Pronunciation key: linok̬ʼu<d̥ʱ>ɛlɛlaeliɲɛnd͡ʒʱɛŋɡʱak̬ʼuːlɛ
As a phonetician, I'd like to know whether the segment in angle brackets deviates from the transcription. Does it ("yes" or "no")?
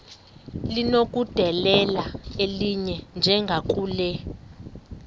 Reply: no